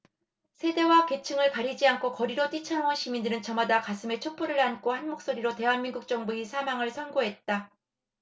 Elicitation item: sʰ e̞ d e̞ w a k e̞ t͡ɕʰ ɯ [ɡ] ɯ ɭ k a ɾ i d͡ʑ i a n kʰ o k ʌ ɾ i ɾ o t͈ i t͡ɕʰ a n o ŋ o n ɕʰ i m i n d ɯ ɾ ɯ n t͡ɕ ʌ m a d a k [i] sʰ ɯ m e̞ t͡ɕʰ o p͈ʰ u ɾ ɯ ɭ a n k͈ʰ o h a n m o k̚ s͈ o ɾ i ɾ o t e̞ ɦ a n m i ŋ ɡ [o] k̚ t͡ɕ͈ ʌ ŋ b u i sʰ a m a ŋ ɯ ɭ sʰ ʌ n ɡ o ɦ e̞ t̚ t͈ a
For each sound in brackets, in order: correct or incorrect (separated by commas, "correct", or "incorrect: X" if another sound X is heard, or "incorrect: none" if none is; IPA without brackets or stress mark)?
incorrect: ŋ, incorrect: a, incorrect: u